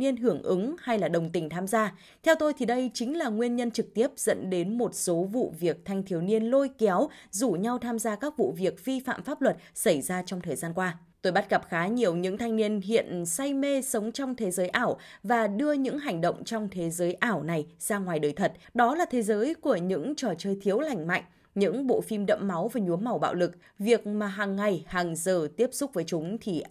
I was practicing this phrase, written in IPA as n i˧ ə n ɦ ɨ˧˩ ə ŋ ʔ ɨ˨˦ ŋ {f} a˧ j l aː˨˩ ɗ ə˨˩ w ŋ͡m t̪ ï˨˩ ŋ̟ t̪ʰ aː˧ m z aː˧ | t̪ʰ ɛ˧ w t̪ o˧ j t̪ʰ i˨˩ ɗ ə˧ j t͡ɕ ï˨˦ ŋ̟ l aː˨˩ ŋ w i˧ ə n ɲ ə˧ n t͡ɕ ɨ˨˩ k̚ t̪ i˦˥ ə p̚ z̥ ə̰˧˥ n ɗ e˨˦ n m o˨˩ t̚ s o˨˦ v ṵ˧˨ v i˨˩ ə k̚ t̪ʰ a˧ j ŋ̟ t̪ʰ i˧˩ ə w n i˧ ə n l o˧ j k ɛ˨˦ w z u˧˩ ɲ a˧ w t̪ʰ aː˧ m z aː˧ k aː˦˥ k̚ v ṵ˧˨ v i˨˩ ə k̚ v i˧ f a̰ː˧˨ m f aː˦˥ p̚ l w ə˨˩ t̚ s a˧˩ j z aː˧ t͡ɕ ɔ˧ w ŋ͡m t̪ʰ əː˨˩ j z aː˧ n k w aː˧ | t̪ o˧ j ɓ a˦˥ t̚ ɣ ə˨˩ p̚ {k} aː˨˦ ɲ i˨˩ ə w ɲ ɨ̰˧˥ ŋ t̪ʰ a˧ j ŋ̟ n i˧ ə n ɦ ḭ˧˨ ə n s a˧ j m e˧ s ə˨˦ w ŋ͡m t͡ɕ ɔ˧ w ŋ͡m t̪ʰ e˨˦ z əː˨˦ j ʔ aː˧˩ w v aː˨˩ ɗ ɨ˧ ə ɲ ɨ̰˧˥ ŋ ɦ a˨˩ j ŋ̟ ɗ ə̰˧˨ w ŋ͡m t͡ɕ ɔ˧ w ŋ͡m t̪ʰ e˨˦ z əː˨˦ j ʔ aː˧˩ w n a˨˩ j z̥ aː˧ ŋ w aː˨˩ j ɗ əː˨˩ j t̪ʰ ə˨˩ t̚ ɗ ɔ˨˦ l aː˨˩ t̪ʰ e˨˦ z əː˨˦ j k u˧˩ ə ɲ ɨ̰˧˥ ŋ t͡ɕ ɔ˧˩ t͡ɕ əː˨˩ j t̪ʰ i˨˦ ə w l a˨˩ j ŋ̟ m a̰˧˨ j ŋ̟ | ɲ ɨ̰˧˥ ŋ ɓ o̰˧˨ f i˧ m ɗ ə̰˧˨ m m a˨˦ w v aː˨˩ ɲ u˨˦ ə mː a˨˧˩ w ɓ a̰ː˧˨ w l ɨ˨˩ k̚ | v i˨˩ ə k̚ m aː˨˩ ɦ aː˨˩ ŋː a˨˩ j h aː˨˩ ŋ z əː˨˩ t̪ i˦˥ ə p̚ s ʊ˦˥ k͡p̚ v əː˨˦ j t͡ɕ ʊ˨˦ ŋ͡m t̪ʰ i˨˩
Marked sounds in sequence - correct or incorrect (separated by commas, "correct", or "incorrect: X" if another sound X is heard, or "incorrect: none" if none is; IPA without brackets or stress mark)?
incorrect: h, incorrect: x